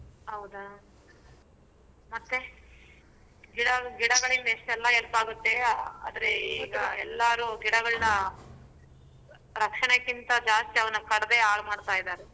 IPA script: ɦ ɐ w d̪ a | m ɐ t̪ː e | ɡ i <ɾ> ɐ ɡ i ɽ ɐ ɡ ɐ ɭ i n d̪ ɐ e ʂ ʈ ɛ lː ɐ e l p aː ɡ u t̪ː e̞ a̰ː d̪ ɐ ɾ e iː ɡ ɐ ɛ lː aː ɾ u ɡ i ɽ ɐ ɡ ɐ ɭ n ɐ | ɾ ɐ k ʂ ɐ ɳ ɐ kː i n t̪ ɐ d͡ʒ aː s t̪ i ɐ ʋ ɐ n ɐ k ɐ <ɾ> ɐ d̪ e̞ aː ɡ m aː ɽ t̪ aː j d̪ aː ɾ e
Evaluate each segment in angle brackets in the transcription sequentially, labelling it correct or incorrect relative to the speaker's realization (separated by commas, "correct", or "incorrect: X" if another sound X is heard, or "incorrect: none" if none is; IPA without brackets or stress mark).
incorrect: ɽ, incorrect: ɽ